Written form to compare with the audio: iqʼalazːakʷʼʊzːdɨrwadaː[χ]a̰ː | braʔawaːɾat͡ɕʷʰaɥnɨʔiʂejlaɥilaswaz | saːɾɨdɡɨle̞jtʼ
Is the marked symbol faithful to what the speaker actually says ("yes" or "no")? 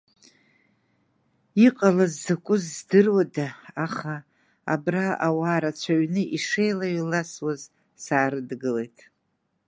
yes